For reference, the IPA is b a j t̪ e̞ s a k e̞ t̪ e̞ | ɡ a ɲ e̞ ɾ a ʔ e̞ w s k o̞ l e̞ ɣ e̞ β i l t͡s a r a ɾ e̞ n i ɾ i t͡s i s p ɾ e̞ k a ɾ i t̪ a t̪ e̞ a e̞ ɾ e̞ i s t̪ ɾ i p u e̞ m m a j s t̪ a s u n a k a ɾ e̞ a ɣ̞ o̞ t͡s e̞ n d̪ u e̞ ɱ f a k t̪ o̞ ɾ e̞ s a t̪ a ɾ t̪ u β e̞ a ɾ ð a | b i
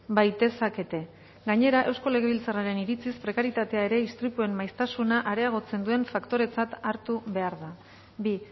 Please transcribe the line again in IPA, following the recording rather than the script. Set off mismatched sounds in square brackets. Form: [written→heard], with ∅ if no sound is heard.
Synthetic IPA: b a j t̪ e̞ s a k e̞ t̪ e̞ | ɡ a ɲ e̞ ɾ a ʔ e̞ w s k o̞ l e̞ ɣ e̞ β i l t͡s a r a ɾ e̞ n i ɾ i t͡s i s p ɾ e̞ k a ɾ i t̪ a t̪ e̞ a e̞ ɾ e̞ i s t̪ ɾ i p u e̞ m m a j s t̪ a s u n a [k→ʔ] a ɾ e̞ a ɣ̞ o̞ t͡s e̞ n d̪ u e̞ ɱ f a k t̪ o̞ ɾ e̞ [s→t͡s] a t̪ a ɾ t̪ u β e̞ a ɾ ð a | b i